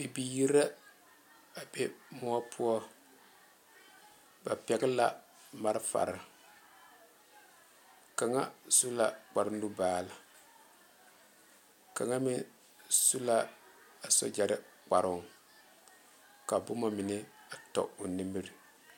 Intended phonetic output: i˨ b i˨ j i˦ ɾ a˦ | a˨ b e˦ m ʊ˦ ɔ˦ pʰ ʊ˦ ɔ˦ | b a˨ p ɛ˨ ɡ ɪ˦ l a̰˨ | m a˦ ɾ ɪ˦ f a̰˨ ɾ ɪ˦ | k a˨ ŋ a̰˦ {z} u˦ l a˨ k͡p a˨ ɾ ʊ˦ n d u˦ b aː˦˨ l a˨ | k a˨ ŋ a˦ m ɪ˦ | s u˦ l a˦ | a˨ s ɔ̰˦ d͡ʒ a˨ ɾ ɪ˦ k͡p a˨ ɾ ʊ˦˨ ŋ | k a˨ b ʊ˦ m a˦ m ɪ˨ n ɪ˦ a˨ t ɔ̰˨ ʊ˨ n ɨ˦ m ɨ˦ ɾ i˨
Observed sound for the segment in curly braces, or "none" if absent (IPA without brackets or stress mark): s